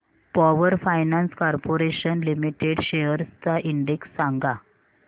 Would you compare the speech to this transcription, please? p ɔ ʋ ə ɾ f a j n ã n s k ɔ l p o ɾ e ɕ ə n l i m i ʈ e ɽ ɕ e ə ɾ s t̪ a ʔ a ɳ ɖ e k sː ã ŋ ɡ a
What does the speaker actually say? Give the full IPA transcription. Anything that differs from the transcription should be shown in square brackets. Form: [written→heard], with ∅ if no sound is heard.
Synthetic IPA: p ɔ ʋ ə ɾ f a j n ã n s k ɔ [l→ɾ] p o ɾ e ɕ ə n l i m i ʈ e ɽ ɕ e ə ɾ s t̪ a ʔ [a→i] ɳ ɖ e k sː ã ŋ ɡ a